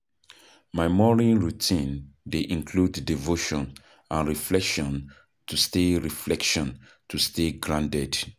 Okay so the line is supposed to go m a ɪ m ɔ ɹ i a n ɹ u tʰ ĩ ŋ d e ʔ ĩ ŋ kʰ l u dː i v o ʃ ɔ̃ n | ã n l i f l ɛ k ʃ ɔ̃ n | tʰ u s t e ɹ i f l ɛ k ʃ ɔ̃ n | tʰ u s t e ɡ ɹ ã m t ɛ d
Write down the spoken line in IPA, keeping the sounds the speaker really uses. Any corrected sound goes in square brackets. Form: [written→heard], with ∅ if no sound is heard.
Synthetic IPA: m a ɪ m ɔ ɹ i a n ɹ u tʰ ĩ [ŋ→n] d e ʔ ĩ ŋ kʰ l u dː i v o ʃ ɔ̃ n | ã n [l→ɹ] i f l ɛ k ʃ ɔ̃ n | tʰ u s t e ɹ i f l ɛ k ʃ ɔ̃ n | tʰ u s t e ɡ ɹ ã [m→n] t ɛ d